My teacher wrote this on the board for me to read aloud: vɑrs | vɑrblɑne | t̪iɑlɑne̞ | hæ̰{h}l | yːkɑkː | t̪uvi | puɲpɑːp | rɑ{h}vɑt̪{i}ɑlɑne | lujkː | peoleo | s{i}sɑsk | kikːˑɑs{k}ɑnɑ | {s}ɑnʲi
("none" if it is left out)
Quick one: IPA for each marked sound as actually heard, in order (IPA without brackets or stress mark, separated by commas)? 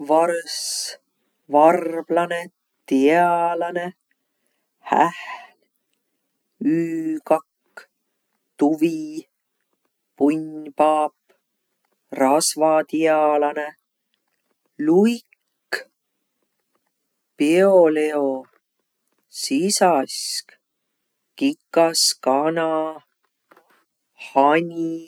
h, s, i, i, k, h